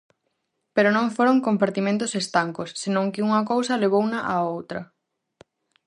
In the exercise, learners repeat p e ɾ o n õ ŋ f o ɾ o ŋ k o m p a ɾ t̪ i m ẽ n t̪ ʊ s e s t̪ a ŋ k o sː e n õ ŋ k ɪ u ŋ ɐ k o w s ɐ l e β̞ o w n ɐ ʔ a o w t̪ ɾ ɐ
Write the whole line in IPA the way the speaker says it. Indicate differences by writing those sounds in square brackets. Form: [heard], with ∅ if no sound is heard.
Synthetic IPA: p e ɾ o n õ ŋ f o ɾ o ŋ k o m p a ɾ t̪ i m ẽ n t̪ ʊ s e s t̪ a ŋ k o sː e n õ ŋ k ɪ u ŋ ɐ k o w s ɐ l e β̞ o w n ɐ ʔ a o w t̪ ɾ ɐ